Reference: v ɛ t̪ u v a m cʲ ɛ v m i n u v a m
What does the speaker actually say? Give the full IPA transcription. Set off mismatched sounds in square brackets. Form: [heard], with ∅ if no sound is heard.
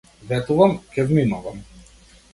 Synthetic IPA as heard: v ɛ t̪ u v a m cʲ ɛ v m i n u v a m